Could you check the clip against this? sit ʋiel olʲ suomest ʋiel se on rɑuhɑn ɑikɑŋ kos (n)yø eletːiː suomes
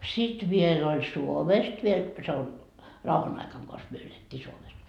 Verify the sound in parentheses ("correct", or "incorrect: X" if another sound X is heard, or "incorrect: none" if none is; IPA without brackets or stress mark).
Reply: incorrect: m